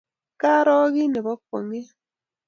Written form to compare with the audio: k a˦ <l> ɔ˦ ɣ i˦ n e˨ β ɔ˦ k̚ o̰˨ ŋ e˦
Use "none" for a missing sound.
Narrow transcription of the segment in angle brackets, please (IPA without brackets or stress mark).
ɾ